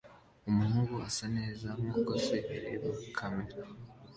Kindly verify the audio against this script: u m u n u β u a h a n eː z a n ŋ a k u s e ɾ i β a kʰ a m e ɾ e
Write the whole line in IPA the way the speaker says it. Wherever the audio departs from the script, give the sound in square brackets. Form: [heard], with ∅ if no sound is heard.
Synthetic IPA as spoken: u m u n u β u a [s] a n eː z a [m] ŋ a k [o] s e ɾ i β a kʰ a m e ɾ [a]

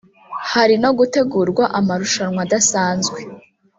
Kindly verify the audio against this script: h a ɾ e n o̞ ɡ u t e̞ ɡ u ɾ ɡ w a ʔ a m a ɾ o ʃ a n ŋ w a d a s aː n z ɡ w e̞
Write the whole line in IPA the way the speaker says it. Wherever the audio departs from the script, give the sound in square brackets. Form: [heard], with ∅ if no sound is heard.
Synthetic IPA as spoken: h a ɾ [i] n o̞ ɡ u t e̞ ɡ u ɾ ɡ w a ʔ a m a ɾ [u] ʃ a n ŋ w a d a s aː n z ɡ w e̞

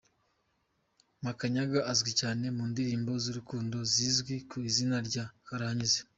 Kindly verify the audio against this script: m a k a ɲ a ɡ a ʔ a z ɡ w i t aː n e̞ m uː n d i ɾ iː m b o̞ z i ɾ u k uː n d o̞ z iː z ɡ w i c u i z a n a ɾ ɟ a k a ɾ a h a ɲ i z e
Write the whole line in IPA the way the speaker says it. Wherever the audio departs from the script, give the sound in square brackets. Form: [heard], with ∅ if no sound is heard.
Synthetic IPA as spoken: m a k a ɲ a ɡ a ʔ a z ɡ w i [c] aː n e̞ m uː n d i ɾ iː m b o̞ z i ɾ u k uː n d o̞ z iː z ɡ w i [k] u i z [i] n a ɾ ɟ a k a ɾ a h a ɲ i z e

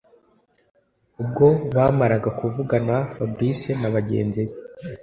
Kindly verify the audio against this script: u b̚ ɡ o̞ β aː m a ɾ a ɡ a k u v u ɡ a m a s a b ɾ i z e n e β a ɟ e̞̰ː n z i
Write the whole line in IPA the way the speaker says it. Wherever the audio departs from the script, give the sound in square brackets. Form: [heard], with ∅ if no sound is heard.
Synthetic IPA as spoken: u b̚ ɡ o̞ β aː m a ɾ a ɡ a k u v u ɡ a [n] a [f] a b ɾ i [s] e n [a] β a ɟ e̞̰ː n z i

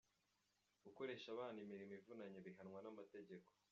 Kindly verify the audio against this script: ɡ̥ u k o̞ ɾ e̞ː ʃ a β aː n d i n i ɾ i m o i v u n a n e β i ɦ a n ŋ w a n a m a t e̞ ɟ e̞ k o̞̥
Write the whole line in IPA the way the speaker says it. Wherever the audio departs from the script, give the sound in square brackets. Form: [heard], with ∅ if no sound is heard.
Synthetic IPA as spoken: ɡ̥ u k o̞ ɾ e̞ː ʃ a β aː n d i [m] i ɾ i m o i v u n a [ɲ] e β i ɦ a n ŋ w a n a m a t e̞ ɟ e̞ k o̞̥

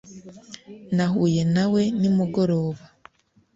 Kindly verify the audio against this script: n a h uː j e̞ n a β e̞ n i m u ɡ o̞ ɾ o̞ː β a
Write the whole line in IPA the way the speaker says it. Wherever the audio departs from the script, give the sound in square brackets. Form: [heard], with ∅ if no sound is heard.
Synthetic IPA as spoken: n a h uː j e̞ n a [w] e̞ n i m u ɡ o̞ ɾ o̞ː β a

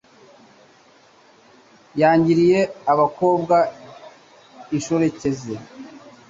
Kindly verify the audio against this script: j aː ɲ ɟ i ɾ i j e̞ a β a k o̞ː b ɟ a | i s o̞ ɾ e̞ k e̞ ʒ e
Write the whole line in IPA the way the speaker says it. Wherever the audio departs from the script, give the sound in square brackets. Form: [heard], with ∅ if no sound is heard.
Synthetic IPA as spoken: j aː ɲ ɟ i ɾ i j e̞ a β a k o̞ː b [ɡ] a | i [ʃ] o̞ ɾ e̞ [c] e̞ [z] e

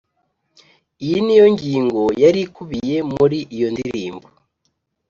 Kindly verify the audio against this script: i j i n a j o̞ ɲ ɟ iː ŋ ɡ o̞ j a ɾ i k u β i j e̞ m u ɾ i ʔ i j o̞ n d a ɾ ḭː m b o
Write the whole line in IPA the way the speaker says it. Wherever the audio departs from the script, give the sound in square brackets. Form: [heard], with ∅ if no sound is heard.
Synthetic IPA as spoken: i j i n [i] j o̞ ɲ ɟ iː ŋ ɡ o̞ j a ɾ i k u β i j e̞ m u ɾ i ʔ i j o̞ n d [i] ɾ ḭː m b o

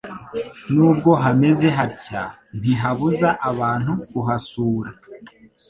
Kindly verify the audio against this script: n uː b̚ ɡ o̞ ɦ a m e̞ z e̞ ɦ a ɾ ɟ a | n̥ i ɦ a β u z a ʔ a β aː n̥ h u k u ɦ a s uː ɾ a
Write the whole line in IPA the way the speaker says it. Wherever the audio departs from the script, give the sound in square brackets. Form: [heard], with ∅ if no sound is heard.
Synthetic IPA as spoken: n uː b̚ ɡ o̞ ɦ a m e̞ z e̞ ɦ a ɾ [c] a | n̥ i ɦ a β u z a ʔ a β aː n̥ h u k u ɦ a s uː ɾ a

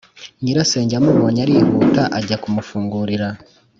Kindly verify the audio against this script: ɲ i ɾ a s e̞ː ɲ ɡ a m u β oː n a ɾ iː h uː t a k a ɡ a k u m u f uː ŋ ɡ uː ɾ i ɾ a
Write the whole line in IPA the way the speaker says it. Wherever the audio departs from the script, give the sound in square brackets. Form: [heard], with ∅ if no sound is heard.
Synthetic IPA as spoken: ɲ i ɾ a s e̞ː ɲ [ɟ] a m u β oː [ɲ] a ɾ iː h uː t a [ʔ] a [ɟ] a k u m u f uː ŋ ɡ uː ɾ i ɾ a

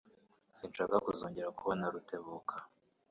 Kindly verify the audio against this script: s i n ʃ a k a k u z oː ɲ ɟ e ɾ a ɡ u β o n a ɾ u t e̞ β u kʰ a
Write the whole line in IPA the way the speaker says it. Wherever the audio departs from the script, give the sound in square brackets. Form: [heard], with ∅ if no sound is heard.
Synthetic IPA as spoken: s i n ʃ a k a k u z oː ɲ ɟ e ɾ a [k] u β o n a ɾ u t e̞ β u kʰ a

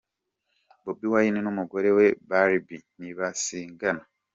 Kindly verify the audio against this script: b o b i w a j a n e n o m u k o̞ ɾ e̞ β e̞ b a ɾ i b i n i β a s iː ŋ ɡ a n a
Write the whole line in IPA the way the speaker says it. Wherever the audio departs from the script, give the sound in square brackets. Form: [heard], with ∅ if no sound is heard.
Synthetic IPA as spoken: b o b i w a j [i] n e n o m u [ɡ] o̞ ɾ e̞ [w] e̞ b a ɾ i b i n i β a s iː ŋ ɡ a n a

